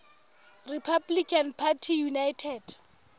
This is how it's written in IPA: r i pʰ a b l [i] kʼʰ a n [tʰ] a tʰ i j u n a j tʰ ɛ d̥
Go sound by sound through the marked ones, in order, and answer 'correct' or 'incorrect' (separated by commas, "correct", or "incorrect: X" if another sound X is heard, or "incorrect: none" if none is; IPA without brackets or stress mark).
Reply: correct, incorrect: pʰ